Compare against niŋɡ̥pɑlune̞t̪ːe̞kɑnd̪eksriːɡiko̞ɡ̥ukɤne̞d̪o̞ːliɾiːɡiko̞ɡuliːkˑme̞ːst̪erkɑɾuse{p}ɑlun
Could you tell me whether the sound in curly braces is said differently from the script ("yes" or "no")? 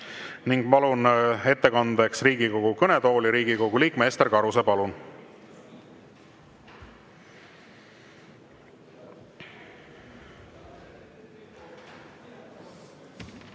no